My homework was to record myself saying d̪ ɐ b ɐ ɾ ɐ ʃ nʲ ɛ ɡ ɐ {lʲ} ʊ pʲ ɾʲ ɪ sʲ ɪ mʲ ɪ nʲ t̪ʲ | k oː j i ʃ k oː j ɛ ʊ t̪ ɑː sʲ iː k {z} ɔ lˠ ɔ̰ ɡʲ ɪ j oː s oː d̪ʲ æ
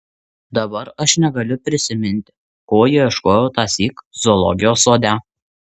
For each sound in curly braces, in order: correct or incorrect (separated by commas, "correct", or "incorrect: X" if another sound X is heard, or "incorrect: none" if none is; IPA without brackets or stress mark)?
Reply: correct, correct